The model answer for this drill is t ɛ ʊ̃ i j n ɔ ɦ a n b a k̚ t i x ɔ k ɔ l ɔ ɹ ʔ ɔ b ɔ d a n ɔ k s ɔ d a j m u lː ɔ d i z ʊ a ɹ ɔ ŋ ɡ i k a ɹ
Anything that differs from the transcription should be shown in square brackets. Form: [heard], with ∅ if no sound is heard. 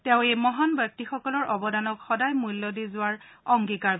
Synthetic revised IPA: t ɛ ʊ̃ [e] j [m] ɔ ɦ a n b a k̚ t i x ɔ k ɔ l ɔ ɹ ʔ ɔ b ɔ d a n ɔ k [x] ɔ d a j m u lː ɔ d i z ʊ a ɹ ɔ ŋ ɡ i k a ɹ